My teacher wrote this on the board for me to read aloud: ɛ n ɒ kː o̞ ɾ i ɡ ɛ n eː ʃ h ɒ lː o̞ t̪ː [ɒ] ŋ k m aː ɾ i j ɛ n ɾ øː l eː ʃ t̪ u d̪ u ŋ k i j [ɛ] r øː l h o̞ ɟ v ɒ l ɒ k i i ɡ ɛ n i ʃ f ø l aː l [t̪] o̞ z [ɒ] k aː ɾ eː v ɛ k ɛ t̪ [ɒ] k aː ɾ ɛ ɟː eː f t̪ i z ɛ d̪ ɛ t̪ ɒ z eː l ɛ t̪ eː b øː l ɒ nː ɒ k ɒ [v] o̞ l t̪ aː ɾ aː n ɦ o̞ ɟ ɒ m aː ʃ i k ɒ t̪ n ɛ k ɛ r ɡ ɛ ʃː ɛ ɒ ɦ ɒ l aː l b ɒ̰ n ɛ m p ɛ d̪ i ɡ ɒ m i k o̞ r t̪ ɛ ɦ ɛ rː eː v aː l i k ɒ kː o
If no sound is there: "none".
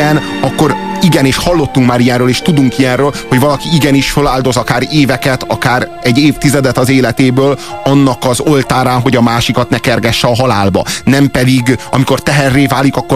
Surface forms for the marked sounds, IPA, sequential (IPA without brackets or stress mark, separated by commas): u, ɛ, d̪, ɒ, ɒ, z